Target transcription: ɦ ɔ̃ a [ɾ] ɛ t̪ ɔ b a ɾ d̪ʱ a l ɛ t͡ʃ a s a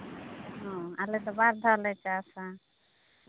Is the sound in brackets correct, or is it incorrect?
incorrect